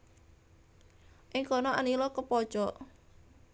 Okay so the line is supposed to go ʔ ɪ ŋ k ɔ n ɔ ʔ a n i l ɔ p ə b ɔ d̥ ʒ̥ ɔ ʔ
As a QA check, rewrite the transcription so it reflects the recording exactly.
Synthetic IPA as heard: ʔ ɪ ŋ k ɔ n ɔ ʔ a n i l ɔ k ə p ɔ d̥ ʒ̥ ɔ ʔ